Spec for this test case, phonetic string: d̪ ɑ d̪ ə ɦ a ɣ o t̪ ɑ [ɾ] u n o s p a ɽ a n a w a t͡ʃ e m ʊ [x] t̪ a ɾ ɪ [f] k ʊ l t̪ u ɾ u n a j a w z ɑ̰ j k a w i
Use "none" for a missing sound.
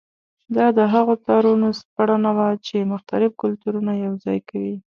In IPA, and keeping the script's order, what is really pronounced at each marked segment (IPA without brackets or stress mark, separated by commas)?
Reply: ɾ, x, f